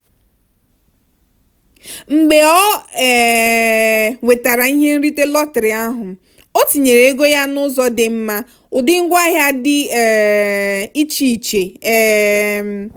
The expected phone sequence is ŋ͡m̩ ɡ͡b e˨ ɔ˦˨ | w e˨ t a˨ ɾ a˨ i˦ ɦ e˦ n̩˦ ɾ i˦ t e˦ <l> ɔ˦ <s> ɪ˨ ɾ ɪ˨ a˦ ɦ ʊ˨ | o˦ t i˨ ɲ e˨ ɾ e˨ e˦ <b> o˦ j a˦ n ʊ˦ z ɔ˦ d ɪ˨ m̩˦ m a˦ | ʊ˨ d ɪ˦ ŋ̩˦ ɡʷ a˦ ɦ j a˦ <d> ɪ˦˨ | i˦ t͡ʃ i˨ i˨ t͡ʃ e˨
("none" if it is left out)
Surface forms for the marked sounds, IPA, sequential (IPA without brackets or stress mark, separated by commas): l, t, ɡ, d